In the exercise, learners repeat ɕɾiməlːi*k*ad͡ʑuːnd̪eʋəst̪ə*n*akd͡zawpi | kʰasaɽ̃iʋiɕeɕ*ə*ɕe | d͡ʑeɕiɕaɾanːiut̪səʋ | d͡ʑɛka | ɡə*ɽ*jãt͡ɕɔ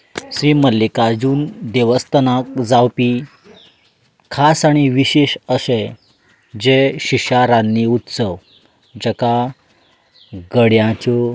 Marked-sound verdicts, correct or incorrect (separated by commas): correct, correct, correct, correct